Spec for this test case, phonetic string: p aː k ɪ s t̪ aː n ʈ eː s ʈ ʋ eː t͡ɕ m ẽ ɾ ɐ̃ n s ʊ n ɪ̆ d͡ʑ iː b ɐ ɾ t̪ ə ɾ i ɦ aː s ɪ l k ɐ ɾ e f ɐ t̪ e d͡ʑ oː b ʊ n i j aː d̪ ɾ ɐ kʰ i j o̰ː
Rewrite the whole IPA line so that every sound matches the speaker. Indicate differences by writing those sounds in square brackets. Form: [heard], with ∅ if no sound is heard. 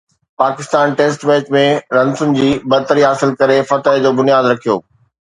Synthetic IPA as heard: p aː k ɪ s t̪ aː n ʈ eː s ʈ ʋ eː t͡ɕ m ẽ ɾ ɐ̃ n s ʊ n ɪ̆ d͡ʑ iː b ɐ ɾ t̪ ə ɾ i ɦ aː s ɪ l k ɐ ɾ e f ɐ t̪ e d͡ʑ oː b ʊ n i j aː d̪ ɾ ɐ kʰ i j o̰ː